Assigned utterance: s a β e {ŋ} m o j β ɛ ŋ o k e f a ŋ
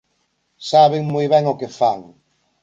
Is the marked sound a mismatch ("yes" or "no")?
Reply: no